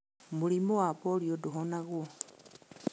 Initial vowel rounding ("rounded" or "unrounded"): rounded